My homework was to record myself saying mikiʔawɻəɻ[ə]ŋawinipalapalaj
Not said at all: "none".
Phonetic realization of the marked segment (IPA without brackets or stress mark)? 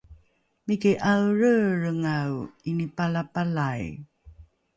ə